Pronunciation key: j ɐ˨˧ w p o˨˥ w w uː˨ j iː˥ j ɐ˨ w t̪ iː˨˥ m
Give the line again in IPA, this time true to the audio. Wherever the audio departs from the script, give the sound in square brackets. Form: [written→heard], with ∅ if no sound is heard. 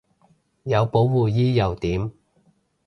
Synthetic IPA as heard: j ɐ˨˧ w p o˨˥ w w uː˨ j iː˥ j ɐ˨ w t̪ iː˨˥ m